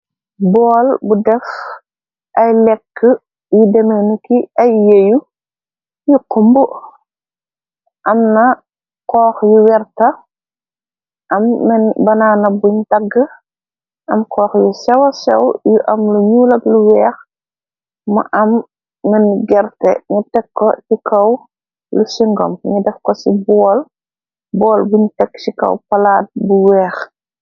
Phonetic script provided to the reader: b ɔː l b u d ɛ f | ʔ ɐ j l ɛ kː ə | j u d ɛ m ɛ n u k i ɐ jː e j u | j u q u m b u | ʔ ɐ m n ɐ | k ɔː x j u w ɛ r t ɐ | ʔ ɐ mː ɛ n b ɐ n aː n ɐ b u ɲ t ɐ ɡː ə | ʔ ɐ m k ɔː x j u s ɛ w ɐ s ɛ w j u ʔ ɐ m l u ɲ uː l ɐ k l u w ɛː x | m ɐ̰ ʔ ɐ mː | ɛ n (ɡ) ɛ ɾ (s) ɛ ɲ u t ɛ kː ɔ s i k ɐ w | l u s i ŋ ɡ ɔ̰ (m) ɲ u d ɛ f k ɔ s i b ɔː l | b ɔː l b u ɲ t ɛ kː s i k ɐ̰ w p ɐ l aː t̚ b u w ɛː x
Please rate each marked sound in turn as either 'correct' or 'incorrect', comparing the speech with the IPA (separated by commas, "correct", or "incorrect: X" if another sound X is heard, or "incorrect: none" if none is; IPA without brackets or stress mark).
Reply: correct, incorrect: t, correct